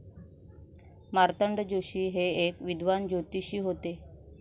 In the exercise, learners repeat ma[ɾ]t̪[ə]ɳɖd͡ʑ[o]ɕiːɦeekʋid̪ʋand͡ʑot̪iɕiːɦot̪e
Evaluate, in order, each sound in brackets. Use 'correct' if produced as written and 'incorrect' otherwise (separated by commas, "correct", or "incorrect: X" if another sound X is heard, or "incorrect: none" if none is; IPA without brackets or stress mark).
correct, correct, correct